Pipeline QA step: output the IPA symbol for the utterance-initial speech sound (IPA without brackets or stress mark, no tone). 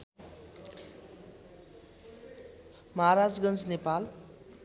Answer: m